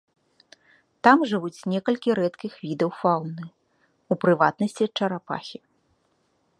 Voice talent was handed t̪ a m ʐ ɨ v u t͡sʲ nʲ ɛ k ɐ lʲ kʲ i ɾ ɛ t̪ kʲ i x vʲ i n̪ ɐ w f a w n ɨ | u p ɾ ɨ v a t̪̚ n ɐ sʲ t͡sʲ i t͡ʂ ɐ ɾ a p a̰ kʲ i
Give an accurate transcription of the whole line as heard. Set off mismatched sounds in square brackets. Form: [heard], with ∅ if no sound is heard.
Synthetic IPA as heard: t̪ a m ʐ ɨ v u t͡sʲ nʲ ɛ k ɐ lʲ kʲ i ɾ ɛ t̪ kʲ i x vʲ i [d̪] ɐ w f a w n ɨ | u p ɾ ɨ v a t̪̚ n ɐ sʲ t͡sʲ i t͡ʂ ɐ ɾ a p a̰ [xʲ] i